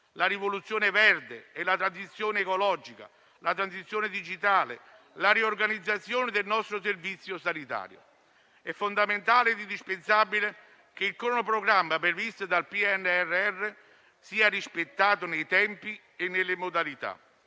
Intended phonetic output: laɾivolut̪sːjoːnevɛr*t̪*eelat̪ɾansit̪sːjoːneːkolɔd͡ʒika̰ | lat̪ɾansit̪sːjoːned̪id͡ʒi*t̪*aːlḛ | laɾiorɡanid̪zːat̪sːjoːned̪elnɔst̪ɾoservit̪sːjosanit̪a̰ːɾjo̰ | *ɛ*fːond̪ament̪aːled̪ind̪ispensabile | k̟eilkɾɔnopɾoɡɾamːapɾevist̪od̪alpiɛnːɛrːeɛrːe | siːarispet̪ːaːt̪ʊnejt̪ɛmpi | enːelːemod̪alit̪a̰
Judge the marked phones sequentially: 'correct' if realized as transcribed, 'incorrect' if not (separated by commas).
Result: incorrect, correct, correct